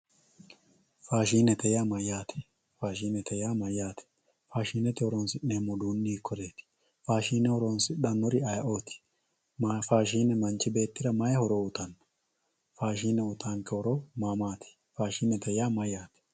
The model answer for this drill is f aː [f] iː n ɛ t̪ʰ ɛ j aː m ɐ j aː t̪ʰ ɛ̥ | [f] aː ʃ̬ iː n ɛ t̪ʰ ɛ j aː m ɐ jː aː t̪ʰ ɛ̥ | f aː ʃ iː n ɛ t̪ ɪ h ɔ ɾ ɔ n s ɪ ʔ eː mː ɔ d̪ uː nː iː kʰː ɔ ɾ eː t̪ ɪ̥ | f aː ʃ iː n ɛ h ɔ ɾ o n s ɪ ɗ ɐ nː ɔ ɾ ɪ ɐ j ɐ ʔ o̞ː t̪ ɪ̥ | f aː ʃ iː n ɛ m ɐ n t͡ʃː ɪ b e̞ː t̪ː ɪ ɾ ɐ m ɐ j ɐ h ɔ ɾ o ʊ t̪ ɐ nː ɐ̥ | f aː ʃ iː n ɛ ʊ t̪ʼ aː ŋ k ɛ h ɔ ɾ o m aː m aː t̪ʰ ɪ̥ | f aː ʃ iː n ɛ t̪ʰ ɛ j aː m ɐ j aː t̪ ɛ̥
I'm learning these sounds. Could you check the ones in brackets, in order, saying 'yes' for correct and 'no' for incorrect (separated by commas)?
no, yes